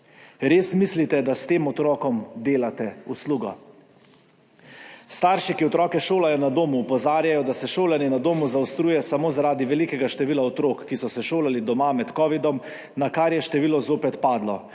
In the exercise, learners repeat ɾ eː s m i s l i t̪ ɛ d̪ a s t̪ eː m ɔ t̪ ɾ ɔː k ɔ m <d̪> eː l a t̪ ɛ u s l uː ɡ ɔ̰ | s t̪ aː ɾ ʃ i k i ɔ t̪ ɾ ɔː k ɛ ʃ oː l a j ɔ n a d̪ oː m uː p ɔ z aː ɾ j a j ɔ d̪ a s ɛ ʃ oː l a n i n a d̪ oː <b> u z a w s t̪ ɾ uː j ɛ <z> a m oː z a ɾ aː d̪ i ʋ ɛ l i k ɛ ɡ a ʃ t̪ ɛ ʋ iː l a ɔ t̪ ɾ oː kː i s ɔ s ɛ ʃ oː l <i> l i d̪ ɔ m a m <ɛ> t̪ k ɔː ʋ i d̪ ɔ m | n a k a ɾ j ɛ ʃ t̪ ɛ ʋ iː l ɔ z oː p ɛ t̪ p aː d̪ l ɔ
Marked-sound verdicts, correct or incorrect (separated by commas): correct, incorrect, incorrect, incorrect, correct